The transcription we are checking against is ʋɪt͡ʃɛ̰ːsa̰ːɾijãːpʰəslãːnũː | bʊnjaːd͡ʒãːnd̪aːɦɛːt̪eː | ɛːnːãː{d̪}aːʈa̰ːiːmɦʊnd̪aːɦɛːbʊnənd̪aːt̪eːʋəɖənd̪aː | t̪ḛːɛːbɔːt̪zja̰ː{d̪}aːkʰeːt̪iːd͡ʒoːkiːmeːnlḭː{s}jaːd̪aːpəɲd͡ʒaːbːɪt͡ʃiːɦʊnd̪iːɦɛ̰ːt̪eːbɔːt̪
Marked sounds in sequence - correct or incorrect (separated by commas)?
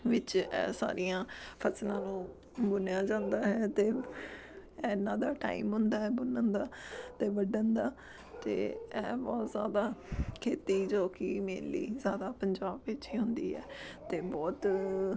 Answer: correct, correct, incorrect